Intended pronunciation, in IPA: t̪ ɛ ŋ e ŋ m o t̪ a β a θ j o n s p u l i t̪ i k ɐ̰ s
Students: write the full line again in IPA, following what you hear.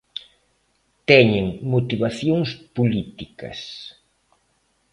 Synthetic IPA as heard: t̪ ɛ ɲ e ŋ m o t̪ i β a θ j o ŋ s p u l i t̪ i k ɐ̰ s

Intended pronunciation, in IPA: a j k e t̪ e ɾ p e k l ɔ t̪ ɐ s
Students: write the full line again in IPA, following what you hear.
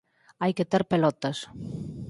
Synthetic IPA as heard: a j k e t̪ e ɾ p e l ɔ t̪ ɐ s

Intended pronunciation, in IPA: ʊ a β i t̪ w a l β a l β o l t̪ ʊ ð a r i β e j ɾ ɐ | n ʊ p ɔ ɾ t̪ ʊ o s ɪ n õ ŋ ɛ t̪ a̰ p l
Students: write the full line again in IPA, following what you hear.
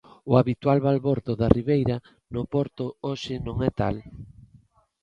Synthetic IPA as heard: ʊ a β i t̪ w a l β a l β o ɾ t̪ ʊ ð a r i β e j ɾ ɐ | n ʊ p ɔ ɾ t̪ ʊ o ʃ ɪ n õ ŋ ɛ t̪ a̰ l

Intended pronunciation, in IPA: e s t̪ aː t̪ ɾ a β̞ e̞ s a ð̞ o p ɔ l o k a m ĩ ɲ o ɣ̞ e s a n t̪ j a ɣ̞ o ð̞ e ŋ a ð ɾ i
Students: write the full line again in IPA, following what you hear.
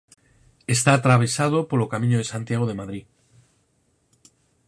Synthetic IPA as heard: e s t̪ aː t̪ ɾ a β̞ e̞ s a ð̞ o p o l o k a m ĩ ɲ o ð̞ e s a n t̪ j a ɣ̞ o ð̞ e m a ð ɾ i

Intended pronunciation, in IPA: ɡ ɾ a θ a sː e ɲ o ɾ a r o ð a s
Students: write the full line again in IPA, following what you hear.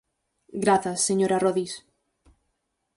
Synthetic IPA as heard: ɡ ɾ a θ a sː e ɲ o ɾ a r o ð i s

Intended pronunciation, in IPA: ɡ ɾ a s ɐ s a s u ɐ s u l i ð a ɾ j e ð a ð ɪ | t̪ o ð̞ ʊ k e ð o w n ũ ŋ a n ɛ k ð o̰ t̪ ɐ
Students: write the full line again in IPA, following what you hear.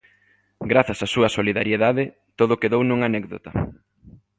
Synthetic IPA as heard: ɡ ɾ a θ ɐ s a s u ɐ s o l i ð a ɾ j e ð a ð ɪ | t̪ o ð̞ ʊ k e ð o w n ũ ŋ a n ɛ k ð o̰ t̪ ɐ

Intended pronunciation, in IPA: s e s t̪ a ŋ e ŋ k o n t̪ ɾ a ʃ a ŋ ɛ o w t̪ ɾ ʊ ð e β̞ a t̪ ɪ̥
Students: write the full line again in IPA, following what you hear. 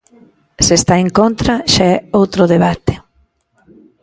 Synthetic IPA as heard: s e s t̪ a e ŋ k o n t̪ ɾ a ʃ a ɛ o w t̪ ɾ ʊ ð e β̞ a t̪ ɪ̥

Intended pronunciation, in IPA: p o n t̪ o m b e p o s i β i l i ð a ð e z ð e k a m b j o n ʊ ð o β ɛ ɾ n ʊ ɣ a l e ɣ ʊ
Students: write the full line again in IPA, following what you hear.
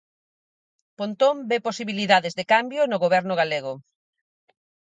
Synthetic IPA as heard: p o n t̪ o m b e p o s i β i l i ð a ð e z ð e k a m b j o n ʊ ɣ o β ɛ ɾ n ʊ ɣ a l e ɣ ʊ

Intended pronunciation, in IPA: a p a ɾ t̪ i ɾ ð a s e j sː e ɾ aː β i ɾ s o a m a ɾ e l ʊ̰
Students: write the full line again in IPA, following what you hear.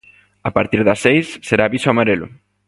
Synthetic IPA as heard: a p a ɾ t̪ i ɾ ð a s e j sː e ɾ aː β i s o a m a ɾ e l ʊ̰

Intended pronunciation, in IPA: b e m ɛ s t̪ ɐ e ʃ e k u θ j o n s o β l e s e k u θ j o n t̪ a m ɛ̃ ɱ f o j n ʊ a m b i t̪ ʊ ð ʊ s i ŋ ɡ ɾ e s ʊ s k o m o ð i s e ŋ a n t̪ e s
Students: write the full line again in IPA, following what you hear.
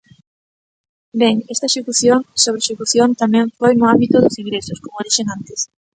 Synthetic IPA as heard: b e ŋ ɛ s t̪ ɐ e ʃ e k u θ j o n s o β ɾ e ʃ e k u θ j o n t̪ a m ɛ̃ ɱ f o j n ʊ a m b i t̪ ʊ ð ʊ s i ŋ ɡ ɾ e s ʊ s k o m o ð i ʃ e ŋ a n t̪ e s

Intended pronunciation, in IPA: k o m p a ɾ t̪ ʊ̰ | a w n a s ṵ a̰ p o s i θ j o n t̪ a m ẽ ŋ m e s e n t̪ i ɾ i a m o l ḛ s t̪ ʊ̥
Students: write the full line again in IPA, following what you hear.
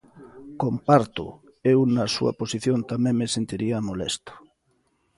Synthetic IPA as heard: k o m p a ɾ t̪ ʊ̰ | e w n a s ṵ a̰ p o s i θ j o n t̪ a m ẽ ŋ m e s e n t̪ i ɾ i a m o l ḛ s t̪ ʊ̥

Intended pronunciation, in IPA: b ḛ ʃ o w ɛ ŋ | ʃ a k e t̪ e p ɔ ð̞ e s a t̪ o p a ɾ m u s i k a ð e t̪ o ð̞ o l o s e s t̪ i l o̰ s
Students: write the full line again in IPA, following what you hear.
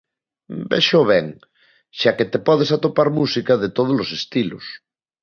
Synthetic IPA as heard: b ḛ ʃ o β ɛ ŋ | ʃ a k e t̪ e p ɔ ð̞ e s a t̪ o p a ɾ m u s i k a ð e t̪ o ð̞ o l o s e s t̪ i l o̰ s

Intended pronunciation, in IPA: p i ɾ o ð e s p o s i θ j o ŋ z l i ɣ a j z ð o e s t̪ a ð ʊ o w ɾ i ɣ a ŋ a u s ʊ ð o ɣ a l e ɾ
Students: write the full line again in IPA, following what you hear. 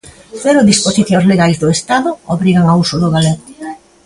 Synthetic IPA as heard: p e ɾ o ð i s p o s i θ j o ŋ z l e ɣ a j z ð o e s t̪ a ð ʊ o β ɾ i ɣ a ŋ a u s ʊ ð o ɣ a l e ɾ

